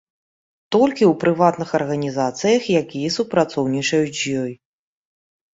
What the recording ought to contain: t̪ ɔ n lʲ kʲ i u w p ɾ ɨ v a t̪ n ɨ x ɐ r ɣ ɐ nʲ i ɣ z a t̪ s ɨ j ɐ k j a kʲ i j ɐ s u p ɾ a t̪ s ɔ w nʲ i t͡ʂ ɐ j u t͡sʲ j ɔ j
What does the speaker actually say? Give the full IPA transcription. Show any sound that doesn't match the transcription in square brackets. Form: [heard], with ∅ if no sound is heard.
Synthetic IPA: t̪ ɔ [∅] lʲ kʲ i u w p ɾ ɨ v a t̪ n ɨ x ɐ r ɣ ɐ nʲ i [∅] z a t̪ s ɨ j ɐ [x] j a kʲ i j ɐ s u p ɾ a t̪ s ɔ w nʲ i t͡ʂ ɐ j u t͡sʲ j ɔ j